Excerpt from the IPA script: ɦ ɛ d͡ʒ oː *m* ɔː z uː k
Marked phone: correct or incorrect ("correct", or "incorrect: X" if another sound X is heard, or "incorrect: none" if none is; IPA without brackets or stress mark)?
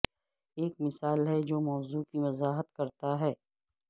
correct